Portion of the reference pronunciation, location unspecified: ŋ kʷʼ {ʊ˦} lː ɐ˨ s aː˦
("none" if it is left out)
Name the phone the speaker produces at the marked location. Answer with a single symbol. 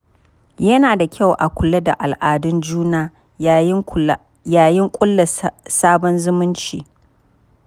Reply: ʊ˦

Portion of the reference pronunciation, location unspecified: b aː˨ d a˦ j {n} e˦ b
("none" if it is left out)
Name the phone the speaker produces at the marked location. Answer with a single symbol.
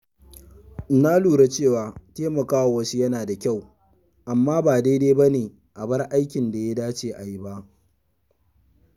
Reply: d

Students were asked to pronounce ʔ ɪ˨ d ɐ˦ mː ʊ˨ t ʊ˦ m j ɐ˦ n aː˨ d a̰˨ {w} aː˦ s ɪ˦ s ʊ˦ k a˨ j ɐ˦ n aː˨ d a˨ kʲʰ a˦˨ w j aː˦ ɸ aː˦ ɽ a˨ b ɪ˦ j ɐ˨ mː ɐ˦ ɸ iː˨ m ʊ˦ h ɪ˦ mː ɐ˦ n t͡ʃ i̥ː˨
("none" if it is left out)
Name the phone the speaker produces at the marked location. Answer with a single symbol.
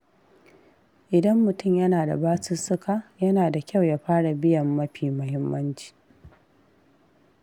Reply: b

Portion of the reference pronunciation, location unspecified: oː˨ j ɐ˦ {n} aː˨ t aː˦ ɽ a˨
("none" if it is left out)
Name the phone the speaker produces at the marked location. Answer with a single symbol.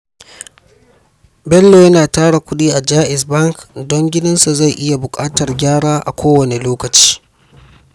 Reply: n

